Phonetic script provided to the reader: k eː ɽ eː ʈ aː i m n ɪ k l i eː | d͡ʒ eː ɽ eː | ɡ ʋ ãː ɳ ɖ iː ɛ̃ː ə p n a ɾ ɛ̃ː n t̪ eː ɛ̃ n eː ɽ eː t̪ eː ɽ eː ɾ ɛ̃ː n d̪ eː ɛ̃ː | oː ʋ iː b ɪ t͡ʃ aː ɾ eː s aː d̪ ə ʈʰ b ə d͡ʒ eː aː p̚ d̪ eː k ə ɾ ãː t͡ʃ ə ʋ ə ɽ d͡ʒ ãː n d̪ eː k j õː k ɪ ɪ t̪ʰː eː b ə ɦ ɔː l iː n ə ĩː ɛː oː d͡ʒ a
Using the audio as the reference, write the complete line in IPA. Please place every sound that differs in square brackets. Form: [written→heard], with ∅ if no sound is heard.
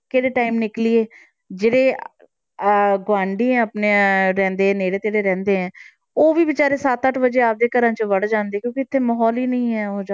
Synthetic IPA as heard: k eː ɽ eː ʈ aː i m n ɪ k l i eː | d͡ʒ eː ɽ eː | ɡ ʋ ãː ɳ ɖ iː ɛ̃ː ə p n [a→e] ɾ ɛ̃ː n [t̪→d̪] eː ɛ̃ n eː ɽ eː t̪ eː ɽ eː ɾ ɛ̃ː n d̪ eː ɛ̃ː | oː ʋ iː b ɪ t͡ʃ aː ɾ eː s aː [d̪→t̪] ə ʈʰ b ə d͡ʒ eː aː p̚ d̪ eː k ə ɾ ãː t͡ʃ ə ʋ ə ɽ d͡ʒ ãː n d̪ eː k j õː k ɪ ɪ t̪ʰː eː [b→m] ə ɦ ɔː l iː n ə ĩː ɛː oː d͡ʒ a